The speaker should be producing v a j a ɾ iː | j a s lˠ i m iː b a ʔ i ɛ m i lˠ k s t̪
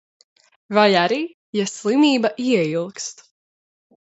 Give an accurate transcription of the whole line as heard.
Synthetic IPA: v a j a ɾ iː | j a s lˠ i m iː b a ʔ i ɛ i lˠ k s t̪